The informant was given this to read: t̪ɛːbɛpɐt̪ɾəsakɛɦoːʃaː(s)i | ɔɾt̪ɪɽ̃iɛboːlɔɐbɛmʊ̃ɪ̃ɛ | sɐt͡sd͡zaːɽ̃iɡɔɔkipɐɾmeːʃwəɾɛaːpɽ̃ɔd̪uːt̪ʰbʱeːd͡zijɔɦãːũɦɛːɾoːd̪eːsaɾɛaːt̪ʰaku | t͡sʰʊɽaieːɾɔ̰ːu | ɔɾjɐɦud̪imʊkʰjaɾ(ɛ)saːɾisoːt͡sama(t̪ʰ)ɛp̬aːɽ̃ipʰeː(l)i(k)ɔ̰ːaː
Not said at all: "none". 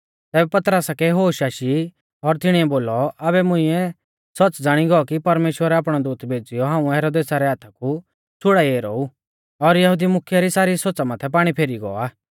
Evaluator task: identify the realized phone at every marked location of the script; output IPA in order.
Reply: ʃ, i, t̪ʰ, ɾ, ɡ

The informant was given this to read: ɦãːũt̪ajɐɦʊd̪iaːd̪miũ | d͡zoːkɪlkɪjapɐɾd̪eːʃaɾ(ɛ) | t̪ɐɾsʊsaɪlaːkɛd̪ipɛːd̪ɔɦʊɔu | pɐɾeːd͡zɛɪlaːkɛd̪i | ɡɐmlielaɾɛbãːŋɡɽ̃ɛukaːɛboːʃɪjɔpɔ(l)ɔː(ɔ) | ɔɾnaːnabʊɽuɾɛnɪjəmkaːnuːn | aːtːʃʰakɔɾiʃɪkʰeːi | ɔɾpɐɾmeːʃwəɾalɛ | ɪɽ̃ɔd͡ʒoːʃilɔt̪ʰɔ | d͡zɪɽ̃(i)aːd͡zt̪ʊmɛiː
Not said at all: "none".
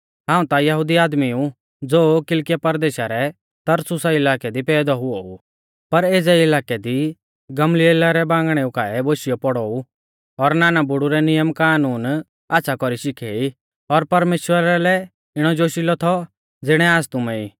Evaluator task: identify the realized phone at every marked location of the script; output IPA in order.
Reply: ɛ, ɽ, u, ɛ

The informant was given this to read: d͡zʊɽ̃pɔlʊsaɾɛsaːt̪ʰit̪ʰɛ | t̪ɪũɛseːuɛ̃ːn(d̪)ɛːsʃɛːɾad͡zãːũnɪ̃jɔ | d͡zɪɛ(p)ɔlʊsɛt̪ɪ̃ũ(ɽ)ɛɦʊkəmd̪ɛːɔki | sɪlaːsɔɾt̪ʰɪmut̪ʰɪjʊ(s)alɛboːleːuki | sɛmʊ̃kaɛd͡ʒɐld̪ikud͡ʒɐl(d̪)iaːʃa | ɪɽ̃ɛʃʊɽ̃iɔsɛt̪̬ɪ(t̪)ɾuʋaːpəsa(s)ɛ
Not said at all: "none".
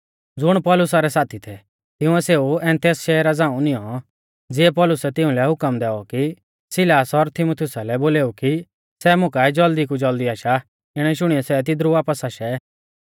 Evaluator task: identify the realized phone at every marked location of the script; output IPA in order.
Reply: t̪, p, l, s, d̪, d̪, ʃ

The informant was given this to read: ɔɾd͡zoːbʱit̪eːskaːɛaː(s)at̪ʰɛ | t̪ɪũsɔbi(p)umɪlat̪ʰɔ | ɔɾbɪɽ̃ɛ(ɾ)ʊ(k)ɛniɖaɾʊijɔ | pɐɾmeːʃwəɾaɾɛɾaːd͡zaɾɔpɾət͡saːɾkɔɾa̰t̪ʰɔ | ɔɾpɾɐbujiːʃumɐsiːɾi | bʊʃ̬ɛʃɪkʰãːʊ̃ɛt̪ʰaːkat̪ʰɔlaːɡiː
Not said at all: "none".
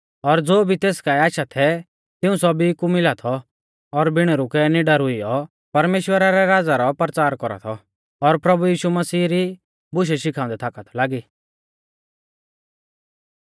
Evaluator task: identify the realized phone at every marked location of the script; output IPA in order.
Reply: ʃ, k, ɾ, k

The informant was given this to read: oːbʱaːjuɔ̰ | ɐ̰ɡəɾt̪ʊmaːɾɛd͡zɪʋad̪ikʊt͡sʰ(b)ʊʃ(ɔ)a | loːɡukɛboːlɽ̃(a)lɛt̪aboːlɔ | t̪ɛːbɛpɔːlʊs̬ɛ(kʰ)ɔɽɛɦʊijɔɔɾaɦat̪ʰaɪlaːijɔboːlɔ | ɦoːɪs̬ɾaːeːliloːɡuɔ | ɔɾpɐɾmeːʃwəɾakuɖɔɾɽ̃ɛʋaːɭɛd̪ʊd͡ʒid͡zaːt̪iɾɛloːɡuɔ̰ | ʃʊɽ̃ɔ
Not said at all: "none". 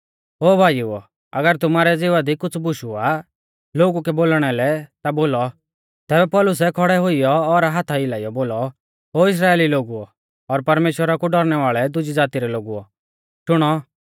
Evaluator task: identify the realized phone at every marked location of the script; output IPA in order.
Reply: b, u, ɛ, kʰ

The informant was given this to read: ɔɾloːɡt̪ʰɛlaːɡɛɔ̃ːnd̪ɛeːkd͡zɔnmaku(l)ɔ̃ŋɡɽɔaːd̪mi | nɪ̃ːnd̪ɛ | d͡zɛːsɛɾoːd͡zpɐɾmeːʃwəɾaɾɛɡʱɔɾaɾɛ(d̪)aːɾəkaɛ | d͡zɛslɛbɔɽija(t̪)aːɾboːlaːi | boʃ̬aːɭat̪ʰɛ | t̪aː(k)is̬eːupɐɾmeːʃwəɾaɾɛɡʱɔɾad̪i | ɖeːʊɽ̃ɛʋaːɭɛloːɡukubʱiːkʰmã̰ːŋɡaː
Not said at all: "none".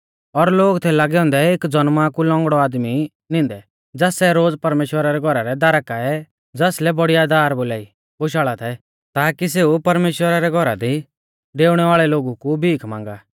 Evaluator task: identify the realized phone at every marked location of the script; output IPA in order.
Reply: l, d̪, d̪, k

